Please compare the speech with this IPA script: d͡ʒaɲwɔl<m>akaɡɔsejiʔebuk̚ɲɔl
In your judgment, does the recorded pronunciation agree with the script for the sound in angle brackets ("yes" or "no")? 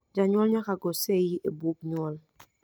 no